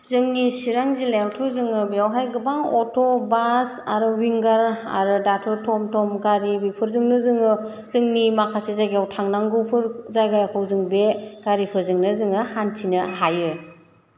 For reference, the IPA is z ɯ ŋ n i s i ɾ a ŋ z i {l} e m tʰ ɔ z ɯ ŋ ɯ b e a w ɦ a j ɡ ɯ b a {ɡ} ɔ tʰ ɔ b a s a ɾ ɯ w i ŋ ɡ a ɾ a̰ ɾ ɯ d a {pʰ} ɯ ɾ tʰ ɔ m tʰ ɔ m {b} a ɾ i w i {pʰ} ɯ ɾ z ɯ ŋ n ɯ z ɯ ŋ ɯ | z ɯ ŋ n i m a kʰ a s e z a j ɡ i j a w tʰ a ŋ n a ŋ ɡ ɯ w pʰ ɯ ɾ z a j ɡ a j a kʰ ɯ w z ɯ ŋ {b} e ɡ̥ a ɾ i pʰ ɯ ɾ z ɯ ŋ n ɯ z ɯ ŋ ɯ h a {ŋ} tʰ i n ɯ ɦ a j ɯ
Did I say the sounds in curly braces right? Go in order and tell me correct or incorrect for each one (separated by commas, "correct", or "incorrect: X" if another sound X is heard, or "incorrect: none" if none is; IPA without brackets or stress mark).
correct, incorrect: ŋ, incorrect: tʰ, incorrect: ɡ, correct, correct, incorrect: n